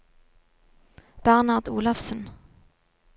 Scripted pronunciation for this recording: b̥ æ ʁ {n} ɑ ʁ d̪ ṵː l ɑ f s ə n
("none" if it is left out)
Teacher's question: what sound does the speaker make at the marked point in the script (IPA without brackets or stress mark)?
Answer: n